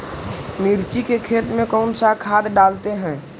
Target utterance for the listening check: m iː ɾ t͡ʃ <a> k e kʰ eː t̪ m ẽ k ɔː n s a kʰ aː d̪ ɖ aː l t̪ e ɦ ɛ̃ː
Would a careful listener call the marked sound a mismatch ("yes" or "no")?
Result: yes